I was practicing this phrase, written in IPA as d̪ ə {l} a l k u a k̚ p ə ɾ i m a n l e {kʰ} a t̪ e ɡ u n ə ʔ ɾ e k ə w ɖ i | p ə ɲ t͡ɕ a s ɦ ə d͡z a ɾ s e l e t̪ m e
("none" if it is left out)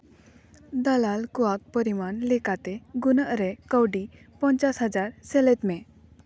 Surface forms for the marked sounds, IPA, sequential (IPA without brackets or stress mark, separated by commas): l, k